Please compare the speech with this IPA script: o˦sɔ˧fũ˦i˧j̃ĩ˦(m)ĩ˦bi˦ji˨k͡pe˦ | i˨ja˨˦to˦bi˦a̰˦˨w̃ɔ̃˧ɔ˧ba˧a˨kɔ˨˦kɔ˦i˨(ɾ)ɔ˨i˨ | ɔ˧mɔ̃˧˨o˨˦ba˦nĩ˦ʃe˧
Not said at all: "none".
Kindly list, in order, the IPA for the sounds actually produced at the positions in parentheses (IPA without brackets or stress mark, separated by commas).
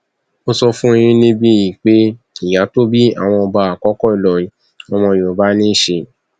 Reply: n, l